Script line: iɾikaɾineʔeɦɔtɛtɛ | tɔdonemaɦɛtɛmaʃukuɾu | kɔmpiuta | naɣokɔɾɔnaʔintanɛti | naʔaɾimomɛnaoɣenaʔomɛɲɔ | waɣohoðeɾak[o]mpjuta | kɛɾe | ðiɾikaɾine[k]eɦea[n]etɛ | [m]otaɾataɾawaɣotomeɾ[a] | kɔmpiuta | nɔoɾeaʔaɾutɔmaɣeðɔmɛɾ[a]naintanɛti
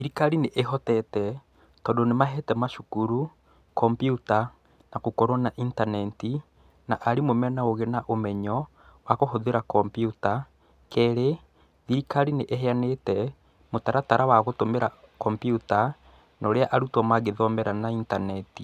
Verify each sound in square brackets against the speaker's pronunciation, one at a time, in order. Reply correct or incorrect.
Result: incorrect, incorrect, correct, correct, correct, correct

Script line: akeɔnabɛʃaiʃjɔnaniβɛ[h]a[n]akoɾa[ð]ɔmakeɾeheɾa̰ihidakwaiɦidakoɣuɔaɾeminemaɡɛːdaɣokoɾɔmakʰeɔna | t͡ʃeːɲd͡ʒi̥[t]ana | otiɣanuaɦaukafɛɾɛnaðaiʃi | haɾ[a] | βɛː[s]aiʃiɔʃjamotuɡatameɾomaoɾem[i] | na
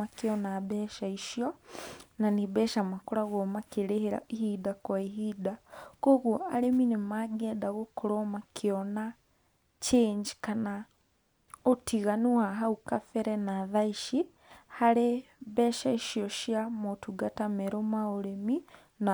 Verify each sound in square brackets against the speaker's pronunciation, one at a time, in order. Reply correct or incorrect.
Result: incorrect, incorrect, incorrect, incorrect, incorrect, incorrect, correct

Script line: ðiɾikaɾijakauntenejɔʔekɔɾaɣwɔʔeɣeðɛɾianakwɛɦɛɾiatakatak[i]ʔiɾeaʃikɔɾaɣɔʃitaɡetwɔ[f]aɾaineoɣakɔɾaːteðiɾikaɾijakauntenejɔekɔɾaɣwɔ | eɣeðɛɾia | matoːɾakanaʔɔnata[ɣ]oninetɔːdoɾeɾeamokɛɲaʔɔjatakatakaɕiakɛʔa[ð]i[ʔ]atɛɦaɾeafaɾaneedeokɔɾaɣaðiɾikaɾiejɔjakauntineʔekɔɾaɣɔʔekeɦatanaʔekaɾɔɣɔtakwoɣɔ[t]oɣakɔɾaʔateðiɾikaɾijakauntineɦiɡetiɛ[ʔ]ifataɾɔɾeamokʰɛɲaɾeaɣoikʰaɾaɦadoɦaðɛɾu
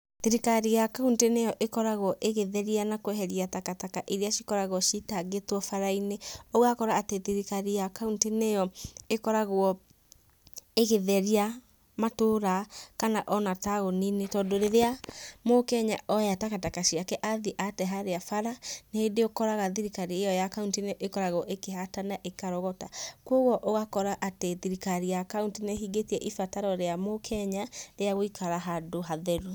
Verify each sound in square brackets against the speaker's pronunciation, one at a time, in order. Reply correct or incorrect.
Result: incorrect, correct, correct, correct, correct, incorrect, correct

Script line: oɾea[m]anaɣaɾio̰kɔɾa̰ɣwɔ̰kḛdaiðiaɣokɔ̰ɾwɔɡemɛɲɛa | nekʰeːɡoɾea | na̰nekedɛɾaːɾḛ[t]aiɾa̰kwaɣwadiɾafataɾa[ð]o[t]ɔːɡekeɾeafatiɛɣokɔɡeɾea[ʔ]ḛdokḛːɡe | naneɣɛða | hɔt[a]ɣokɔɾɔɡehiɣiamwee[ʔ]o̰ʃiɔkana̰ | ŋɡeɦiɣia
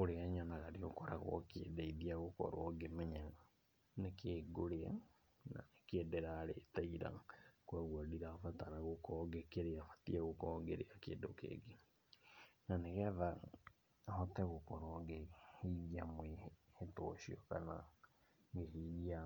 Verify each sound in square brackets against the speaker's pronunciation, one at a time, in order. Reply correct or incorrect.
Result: incorrect, correct, incorrect, incorrect, incorrect, incorrect, incorrect

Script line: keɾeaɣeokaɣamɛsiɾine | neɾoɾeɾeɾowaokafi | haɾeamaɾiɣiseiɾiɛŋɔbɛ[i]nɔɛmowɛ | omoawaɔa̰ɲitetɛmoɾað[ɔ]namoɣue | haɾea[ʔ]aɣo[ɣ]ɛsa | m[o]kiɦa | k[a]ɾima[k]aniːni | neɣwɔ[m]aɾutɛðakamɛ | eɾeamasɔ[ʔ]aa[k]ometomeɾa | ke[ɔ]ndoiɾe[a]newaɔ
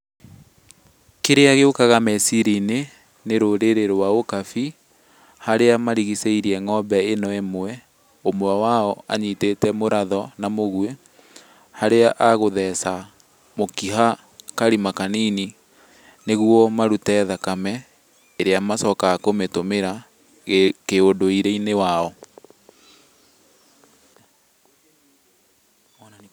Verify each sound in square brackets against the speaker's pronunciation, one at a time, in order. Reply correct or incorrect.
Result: incorrect, correct, correct, incorrect, correct, correct, correct, correct, incorrect, correct, incorrect, incorrect

